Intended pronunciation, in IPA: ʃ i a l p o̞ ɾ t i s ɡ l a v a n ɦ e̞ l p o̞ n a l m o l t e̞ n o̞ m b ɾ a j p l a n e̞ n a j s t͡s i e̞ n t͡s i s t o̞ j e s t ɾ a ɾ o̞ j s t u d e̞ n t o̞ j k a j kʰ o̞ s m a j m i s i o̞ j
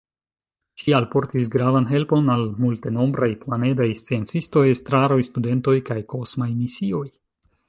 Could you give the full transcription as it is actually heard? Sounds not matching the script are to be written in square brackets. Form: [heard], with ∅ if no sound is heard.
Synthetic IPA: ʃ i a l p o̞ ɾ t i s ɡ [ɾ] a v a n ɦ e̞ l p o̞ n a l m [u] l t e̞ n o̞ m b ɾ a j p l a n e̞ [d] a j s t͡s i e̞ n t͡s i s t o̞ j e s t ɾ a ɾ o̞ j s t u d e̞ n t o̞ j k a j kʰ o̞ s m a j m i s i o̞ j